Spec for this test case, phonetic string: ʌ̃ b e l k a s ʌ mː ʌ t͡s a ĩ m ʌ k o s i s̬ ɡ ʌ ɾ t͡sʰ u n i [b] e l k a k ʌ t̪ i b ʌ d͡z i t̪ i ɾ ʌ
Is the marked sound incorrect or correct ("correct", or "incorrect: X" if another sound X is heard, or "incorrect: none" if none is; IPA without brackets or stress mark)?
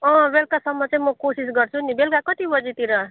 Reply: correct